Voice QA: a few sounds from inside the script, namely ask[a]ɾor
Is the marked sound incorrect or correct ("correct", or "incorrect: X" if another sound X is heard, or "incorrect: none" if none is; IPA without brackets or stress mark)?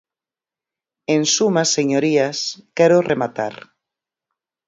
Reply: incorrect: ɛ